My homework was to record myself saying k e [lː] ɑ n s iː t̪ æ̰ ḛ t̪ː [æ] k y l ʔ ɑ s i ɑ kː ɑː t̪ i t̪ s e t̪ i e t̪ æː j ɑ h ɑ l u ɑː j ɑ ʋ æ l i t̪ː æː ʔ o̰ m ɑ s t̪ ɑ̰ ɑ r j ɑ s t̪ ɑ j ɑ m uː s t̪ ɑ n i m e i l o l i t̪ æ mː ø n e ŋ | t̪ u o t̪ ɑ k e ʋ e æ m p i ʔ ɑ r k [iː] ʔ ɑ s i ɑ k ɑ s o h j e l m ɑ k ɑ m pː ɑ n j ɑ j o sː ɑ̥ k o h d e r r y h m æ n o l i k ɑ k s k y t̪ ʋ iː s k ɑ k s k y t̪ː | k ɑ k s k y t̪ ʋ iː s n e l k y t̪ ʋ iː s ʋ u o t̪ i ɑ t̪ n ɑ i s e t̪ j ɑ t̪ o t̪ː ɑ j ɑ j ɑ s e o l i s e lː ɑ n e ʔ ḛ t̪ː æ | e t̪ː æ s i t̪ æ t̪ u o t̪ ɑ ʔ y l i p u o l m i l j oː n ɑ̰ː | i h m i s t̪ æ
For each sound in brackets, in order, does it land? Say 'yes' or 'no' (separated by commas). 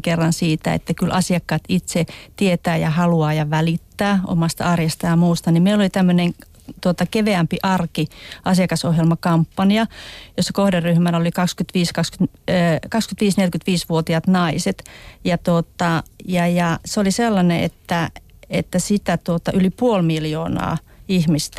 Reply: no, yes, no